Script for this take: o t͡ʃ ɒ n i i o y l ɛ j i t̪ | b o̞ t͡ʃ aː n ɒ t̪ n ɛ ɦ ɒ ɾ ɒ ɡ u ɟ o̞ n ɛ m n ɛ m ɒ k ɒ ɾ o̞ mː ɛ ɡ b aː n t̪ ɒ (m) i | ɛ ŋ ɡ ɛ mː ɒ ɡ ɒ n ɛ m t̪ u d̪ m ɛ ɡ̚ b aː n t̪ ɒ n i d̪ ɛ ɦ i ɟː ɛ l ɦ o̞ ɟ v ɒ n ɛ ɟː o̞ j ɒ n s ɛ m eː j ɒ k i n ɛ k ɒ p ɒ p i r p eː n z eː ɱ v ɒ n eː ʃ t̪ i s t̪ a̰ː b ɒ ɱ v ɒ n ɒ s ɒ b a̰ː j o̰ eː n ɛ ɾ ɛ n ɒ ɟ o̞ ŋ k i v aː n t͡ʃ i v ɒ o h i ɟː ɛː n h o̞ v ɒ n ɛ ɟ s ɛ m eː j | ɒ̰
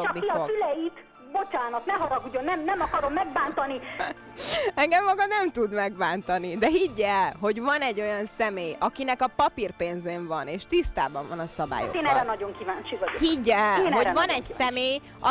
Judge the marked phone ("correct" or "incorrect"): incorrect